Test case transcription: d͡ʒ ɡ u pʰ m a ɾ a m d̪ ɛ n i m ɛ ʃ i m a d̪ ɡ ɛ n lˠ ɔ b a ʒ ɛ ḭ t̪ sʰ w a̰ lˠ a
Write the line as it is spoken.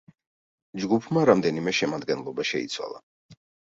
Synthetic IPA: d͡ʒ ɡ u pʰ m a ɾ a m d̪ ɛ n i m ɛ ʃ ɛ m a d̪ ɡ ɛ n lˠ ɔ b a ʃ ɛ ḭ t̪ sʰ w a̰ lˠ a